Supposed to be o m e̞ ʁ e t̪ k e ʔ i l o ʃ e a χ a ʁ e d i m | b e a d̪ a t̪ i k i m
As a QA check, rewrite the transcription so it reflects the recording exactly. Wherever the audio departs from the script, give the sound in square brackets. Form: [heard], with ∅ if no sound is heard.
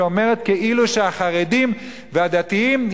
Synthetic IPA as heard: o m e̞ ʁ e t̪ k e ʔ i l [u] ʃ e a χ a ʁ e d i m | [v] e a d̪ a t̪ i [∅] i m